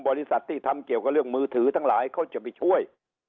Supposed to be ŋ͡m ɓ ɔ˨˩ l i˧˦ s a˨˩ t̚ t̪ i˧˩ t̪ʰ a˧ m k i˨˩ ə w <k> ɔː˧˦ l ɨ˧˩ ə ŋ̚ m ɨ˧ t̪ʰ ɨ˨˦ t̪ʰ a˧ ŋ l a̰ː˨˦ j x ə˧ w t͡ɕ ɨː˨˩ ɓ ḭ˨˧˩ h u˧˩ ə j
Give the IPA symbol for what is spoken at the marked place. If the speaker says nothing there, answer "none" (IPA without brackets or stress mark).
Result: k